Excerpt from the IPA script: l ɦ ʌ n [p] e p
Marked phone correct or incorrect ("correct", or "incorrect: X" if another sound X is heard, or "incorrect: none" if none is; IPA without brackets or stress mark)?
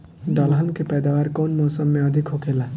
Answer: incorrect: k